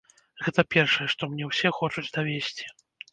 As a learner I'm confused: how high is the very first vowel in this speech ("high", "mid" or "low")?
mid